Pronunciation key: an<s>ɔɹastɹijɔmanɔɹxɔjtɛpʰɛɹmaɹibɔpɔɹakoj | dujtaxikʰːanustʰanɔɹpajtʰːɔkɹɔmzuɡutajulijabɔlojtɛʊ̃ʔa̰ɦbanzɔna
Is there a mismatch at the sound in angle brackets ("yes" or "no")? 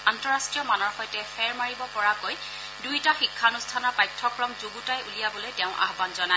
yes